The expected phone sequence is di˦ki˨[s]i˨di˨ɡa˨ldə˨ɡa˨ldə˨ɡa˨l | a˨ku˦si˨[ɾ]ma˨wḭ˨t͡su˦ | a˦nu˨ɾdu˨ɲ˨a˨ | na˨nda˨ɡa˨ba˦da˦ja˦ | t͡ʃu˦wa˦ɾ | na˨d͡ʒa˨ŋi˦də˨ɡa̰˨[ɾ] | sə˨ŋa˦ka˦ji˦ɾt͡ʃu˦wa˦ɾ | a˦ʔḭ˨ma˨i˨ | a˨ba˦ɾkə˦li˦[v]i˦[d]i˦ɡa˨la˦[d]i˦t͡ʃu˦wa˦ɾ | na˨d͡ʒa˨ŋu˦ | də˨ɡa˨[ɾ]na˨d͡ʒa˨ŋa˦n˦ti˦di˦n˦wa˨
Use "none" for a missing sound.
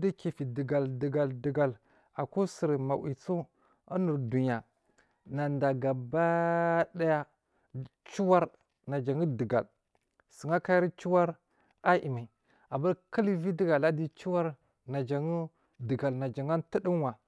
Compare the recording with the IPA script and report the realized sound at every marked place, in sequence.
f, ɾ, l, v, d, d, l

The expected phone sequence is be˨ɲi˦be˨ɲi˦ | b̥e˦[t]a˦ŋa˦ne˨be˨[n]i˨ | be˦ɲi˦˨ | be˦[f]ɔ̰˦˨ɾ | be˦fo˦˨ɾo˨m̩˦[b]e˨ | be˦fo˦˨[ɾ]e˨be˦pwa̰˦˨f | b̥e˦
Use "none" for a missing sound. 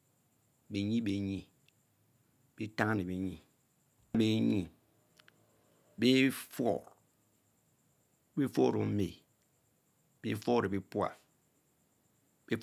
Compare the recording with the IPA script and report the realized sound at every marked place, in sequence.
t, ɲ, f, m, ɾ

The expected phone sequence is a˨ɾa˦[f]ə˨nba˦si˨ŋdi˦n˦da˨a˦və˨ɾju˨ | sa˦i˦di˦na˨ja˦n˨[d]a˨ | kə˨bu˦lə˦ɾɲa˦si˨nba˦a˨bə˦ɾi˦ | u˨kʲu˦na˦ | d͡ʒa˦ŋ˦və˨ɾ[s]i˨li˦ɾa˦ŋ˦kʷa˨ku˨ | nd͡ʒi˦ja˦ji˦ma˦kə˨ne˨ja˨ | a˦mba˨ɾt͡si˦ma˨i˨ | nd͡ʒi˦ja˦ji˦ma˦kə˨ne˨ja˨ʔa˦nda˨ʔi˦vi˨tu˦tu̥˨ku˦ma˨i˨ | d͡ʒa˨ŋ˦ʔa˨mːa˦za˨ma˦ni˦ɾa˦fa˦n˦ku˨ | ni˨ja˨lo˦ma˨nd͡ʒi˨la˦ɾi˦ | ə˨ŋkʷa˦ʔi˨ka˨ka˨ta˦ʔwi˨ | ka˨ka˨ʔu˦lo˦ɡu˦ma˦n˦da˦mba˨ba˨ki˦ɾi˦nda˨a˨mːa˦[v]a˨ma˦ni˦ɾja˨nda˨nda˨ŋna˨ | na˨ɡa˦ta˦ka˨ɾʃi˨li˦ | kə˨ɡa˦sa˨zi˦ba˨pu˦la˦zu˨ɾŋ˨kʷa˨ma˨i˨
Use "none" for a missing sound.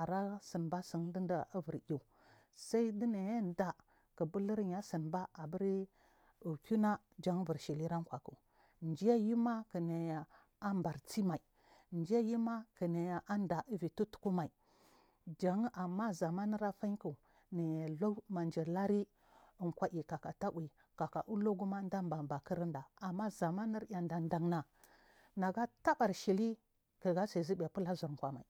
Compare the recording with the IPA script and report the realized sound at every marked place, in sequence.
s, d, ʃ, z

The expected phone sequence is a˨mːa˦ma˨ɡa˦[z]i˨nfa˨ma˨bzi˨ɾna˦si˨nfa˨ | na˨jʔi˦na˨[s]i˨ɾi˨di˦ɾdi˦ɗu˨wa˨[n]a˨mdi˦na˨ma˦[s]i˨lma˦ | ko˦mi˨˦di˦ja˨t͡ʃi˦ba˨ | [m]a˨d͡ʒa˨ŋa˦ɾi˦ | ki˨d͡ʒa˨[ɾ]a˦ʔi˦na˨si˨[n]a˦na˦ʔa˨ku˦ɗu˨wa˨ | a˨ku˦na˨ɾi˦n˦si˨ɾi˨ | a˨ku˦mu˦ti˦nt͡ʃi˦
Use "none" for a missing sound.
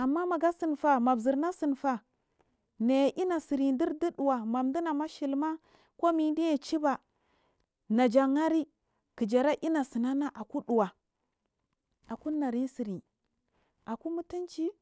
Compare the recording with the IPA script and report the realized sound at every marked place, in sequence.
s, s, m, ʃ, n, ɾ, n

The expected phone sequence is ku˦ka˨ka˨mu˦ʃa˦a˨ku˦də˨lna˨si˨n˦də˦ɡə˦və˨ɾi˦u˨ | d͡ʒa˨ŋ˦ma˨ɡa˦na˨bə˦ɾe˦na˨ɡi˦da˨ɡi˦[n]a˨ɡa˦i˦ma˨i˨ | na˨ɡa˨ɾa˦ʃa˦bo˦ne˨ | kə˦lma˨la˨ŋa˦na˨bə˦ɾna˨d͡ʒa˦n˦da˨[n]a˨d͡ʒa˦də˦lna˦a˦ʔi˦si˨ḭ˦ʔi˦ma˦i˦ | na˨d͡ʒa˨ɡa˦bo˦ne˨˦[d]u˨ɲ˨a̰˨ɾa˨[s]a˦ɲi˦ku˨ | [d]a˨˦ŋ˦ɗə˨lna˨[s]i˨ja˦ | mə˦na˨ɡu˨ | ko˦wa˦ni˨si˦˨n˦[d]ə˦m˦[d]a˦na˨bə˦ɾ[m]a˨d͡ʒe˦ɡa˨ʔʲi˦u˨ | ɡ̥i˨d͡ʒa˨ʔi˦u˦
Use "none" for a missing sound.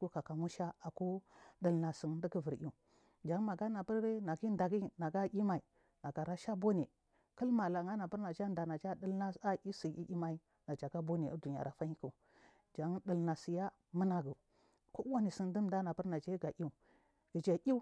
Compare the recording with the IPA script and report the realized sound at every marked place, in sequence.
n, n, d, f, d͡ʒ, s, d, d, n

